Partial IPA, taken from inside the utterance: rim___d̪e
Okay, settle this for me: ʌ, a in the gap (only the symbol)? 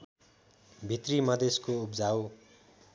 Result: ʌ